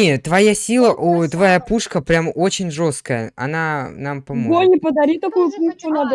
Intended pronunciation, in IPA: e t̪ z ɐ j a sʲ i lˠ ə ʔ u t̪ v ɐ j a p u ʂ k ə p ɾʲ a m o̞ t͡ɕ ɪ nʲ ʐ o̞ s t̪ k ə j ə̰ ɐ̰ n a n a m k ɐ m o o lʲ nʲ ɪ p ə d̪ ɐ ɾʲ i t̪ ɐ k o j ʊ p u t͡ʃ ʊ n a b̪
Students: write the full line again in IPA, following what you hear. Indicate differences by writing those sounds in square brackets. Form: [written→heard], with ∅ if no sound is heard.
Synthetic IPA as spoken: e t̪ [z→v] ɐ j a sʲ i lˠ ə ʔ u t̪ v ɐ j a p u ʂ k ə p ɾʲ a m o̞ t͡ɕ ɪ nʲ ʐ o̞ s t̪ k ə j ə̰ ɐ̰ n a n a m [k→p] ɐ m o o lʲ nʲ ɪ p ə d̪ ɐ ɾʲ i t̪ ɐ k [o→u] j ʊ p u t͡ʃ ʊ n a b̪